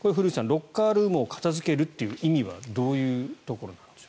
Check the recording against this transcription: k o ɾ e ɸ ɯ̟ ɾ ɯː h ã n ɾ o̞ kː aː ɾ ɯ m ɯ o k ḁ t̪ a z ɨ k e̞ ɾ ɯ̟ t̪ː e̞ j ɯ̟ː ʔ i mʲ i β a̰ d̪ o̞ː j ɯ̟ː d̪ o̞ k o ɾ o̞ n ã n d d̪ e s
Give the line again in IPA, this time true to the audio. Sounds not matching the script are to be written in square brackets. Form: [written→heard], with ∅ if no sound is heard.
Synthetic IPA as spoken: k o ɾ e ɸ ɯ̟ ɾ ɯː [h→s] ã n ɾ o̞ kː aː ɾ [ɯ→ɯː] m ɯ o k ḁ t̪ a z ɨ k e̞ ɾ ɯ̟ t̪ː e̞ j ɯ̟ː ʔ i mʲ i β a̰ d̪ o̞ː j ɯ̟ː [d̪→t̪] o̞ k o ɾ o̞ n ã n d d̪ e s